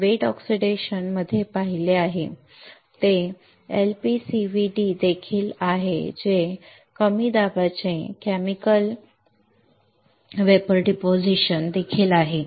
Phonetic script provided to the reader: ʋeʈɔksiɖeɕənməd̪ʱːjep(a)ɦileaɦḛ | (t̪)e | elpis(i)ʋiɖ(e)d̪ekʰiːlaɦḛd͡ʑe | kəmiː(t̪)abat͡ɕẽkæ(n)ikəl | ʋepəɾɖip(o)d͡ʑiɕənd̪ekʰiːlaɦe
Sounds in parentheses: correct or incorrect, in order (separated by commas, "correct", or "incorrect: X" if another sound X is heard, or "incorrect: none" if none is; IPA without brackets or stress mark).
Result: correct, correct, correct, incorrect: i, incorrect: d̪, incorrect: m, correct